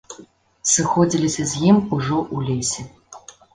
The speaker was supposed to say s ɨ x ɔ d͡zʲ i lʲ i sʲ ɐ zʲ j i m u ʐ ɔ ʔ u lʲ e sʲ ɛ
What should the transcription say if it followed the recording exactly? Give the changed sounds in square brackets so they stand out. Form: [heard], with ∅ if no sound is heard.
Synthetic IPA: s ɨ x ɔ d͡zʲ i lʲ i sʲ ɐ zʲ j i m u ʐ ɔ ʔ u lʲ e sʲ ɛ